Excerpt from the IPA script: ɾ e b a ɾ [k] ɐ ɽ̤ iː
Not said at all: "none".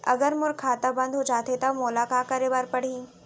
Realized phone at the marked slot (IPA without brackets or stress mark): p